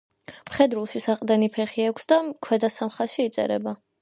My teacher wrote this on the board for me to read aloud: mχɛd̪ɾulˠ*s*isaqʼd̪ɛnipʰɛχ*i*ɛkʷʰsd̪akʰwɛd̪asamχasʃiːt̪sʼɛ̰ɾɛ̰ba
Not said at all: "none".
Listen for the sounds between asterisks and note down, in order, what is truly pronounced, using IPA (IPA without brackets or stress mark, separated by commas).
ʃ, i